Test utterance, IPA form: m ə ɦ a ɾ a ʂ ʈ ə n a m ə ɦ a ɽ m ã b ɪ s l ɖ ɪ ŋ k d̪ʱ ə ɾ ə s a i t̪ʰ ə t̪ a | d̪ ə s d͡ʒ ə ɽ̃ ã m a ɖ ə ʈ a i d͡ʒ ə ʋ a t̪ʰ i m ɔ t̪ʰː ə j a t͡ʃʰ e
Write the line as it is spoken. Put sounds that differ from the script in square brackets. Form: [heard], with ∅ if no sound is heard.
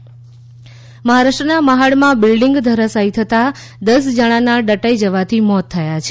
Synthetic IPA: m ə ɦ a ɾ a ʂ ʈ ə n a m ə ɦ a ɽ m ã b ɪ [∅] l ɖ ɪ ŋ [ɡ] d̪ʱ ə ɾ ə s a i t̪ʰ ə t̪ a | d̪ ə s d͡ʒ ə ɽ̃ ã [n] a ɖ ə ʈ a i d͡ʒ ə ʋ a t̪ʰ i m ɔ t̪ʰː ə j a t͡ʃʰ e